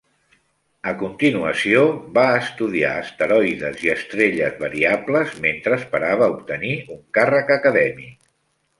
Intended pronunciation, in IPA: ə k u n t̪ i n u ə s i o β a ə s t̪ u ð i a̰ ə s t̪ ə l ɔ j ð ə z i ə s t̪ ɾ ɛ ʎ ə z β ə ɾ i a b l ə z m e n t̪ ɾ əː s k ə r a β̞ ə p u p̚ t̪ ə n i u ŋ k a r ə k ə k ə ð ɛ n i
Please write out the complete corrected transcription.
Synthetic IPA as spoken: ə k u n t̪ i n u ə s i o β a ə s t̪ u ð i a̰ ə s t̪ ə ɾ ɔ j ð ə z i ə s t̪ ɾ e ʎ ə z β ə ɾ i a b l ə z m e n t̪ ɾ əː s p ə ɾ a β̞ ə u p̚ t̪ ə n i u ŋ k a r ə k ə k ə ð ɛ m i